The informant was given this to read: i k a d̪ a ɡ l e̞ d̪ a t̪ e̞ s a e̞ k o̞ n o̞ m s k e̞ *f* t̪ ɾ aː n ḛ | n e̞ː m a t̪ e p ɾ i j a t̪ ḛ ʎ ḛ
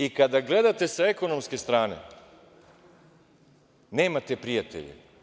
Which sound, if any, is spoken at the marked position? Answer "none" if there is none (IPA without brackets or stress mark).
s